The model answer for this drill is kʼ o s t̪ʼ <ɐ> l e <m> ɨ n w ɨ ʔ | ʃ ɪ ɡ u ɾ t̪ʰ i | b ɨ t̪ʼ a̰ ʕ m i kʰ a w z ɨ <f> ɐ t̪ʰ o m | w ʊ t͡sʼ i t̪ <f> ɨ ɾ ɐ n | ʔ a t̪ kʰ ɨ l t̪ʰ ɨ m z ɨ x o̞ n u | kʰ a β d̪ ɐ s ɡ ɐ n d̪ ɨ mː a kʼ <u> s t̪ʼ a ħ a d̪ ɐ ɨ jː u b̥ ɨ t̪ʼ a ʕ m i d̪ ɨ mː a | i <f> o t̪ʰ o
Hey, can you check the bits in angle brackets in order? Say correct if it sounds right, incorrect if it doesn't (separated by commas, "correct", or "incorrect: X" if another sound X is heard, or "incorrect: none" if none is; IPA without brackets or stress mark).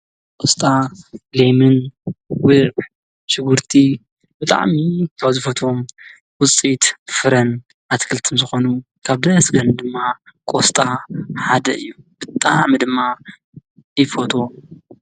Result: incorrect: a, correct, correct, correct, incorrect: o, correct